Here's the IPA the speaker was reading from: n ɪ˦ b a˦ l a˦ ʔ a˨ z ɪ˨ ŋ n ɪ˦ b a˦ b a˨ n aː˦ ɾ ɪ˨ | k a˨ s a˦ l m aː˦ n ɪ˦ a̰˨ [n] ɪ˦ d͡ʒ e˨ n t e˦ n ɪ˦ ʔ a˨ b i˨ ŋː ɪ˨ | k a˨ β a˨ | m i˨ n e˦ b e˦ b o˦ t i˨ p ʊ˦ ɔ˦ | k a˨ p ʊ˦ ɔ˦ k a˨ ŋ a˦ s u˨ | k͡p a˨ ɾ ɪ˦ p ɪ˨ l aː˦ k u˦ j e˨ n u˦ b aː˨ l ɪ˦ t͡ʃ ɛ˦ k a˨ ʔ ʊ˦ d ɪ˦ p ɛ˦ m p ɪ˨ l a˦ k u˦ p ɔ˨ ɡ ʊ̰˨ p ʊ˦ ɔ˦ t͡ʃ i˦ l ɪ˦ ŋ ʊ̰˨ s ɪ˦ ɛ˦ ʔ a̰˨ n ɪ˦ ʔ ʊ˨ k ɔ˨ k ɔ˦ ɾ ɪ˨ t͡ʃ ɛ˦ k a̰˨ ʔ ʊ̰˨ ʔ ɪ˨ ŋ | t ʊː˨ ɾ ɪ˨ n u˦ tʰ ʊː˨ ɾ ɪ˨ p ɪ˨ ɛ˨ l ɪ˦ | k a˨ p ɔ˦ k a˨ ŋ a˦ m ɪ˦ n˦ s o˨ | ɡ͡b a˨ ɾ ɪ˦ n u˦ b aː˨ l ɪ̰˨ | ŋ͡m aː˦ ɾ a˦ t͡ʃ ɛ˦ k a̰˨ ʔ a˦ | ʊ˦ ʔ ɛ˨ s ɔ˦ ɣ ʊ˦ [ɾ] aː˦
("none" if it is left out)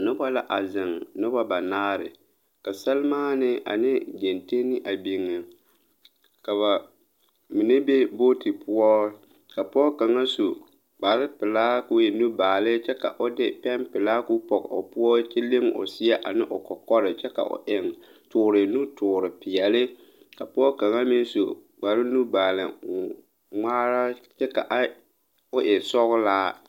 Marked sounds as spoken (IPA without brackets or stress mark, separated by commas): n, l